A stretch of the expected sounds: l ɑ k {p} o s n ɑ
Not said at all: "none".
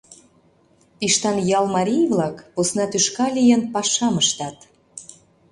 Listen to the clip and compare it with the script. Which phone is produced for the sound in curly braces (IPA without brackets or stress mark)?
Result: p